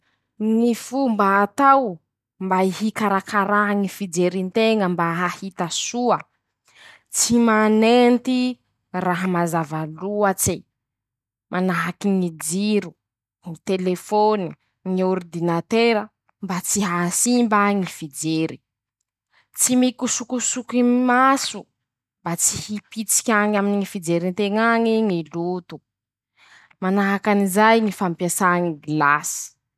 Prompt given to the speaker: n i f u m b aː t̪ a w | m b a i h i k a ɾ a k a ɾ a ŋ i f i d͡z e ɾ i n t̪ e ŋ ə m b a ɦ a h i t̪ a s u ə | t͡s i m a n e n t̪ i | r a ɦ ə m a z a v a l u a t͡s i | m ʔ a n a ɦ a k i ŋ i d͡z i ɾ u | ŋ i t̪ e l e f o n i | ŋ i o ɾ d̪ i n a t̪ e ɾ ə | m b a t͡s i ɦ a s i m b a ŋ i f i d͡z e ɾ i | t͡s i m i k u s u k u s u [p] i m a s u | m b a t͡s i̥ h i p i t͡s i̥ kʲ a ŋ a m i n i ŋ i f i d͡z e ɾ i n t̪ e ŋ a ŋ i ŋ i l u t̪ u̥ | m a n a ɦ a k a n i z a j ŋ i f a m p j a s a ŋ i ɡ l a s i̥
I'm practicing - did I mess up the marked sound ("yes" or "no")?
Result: yes